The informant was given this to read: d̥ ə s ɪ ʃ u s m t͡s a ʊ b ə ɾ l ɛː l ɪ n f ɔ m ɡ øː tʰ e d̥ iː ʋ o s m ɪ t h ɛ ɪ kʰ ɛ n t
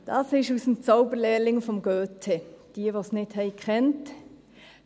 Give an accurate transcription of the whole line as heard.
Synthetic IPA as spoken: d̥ ɑ s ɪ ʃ u s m t͡s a ʊ b ə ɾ l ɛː l ɪ ŋ f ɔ m ɡ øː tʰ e d̥ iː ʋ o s n ɪ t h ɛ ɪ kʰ ɛ n t

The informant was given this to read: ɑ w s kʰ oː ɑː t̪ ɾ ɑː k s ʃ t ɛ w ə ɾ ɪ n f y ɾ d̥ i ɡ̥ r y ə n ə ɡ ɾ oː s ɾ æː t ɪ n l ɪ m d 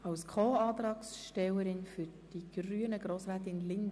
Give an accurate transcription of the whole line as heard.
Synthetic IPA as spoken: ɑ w s kʰ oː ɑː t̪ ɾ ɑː k s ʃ t ɛ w ə ɾ ɪ n f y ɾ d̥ i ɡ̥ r y ə n ə ɡ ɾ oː s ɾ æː t ɪ n l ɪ n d

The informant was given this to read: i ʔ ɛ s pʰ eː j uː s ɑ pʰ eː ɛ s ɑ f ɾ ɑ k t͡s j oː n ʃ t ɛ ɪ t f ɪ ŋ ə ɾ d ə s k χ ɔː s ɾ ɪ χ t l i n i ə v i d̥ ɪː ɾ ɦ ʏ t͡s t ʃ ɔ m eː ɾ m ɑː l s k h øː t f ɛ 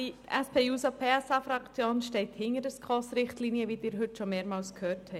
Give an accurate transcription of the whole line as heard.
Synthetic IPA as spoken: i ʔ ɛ s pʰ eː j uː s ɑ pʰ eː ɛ s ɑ f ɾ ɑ k t͡s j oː n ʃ t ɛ ɪ t h ɪ ŋ ə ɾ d ə s k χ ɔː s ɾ ɪ χ t l i n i ə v i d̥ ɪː ɾ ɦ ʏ t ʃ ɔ m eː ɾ m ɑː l s k h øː t h ɛ

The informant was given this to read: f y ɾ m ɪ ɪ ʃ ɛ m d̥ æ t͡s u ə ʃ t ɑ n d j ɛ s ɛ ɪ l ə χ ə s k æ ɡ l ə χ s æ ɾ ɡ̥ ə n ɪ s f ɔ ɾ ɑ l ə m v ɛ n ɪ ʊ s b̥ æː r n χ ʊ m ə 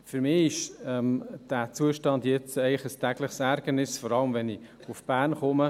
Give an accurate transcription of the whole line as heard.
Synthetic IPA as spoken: f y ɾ m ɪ ɪ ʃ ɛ m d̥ æ t͡s u ə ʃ t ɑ n d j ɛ t͡s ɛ ɪ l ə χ ə s t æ ɡ l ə χ s æ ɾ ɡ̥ ə n ɪ s f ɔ ɾ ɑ l ə m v ɛ n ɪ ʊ f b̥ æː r n χ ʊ m ə

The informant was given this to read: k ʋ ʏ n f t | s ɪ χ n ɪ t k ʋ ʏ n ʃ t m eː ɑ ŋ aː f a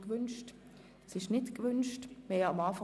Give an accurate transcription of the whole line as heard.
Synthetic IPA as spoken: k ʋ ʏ n ʃ t | s ɪ ʃ n ɪ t k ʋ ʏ n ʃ t m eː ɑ m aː f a

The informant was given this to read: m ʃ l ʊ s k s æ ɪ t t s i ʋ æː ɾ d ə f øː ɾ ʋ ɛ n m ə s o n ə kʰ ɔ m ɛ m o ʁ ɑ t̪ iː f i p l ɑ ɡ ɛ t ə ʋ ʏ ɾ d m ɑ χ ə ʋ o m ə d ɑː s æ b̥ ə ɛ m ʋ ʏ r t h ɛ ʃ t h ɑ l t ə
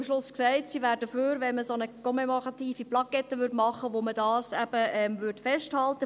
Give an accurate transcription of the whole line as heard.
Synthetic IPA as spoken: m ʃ l ʊ s k s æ ɪ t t s i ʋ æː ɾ d ə f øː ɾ ʋ ɛ n m ə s o n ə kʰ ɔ m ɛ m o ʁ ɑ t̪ iː f i p l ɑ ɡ ɛ t ə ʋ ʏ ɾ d m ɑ χ ə ʋ o m ə d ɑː s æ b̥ ə ɛ m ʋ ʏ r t f ɛ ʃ t h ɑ l t ə

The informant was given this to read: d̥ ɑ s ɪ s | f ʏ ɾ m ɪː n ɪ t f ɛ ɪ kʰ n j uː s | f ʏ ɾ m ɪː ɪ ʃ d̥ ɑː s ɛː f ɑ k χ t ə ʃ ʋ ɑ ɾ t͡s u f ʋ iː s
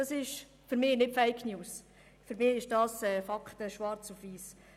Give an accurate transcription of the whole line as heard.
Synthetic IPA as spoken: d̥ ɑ s ɪ ʃ | f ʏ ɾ m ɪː n ɪ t f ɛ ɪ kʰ n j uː s | f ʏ ɾ m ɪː ɪ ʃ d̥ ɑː s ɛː f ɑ k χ t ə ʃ ʋ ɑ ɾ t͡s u f ʋ iː s

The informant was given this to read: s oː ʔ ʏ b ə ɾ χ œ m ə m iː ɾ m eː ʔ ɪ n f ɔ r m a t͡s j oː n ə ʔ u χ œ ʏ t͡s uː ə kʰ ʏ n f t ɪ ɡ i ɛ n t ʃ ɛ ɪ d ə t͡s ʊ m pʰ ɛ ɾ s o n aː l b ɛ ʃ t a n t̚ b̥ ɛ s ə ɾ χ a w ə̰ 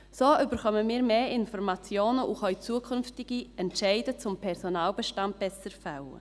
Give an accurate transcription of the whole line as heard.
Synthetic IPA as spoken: s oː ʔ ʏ b ə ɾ χ œ m ə m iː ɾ m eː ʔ ɪ n f ɔ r m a t͡s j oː n ə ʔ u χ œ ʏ t͡s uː ə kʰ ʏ n f t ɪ ɡ i ɛ n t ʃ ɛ ɪ d ə t͡s ʊ m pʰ ɛ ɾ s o n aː l b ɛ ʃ t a n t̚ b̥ ɛ s ə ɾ f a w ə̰

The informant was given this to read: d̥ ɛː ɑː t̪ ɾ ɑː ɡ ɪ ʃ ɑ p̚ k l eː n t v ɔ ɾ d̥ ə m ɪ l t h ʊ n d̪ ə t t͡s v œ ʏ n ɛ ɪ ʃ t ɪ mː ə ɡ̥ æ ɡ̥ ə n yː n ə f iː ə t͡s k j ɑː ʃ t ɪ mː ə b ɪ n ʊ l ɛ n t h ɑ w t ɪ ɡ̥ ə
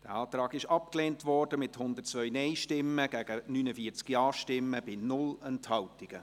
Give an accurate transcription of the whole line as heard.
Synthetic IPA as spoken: d̥ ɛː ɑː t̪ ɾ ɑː ɡ ɪ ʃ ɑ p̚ k l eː n t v ɔ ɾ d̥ ə m ɪ t h ʊ n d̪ ə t t͡s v œ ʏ n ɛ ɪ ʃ t ɪ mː ə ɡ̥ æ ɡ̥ ə n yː n ə f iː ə t͡s k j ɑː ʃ t ɪ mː ə b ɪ n ʊ l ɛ n t h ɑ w t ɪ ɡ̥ ə

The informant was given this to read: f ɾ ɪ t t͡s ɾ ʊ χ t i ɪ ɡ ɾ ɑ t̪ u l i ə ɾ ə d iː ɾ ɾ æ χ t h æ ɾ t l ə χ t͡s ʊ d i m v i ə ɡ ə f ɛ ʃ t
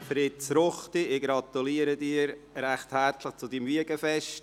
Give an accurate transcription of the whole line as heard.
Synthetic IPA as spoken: f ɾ ɪ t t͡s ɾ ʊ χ t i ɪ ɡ ɾ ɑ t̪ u l i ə ɾ ə d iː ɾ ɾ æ χ t h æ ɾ t l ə χ t͡s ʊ d i m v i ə ɡ ə f ɛ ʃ t

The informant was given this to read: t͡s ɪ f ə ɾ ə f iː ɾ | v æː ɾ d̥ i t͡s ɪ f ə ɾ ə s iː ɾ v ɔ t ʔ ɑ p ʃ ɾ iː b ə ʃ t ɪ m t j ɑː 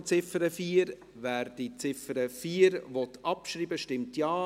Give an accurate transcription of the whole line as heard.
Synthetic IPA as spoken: t͡s ɪ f ə ɾ ə f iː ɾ | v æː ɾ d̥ i t͡s ɪ f ə ɾ ə f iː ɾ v ɔ t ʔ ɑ p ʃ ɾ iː b ə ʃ t ɪ m t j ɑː

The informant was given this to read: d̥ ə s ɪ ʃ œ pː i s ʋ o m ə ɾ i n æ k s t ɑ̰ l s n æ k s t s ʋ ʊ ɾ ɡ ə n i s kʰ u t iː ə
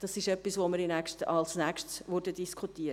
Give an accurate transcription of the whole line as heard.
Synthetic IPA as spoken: d̥ ɑ s ɪ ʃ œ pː i s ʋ o m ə ɾ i n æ k ʃ t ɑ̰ l s n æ k ʃ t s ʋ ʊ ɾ d ə d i s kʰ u t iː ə

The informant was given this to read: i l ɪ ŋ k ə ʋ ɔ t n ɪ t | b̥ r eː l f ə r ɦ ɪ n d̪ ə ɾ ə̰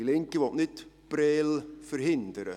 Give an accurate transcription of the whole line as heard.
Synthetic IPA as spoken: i l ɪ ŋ k ə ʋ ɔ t n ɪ t | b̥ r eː l f ə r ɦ ɪ n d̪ ə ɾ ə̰

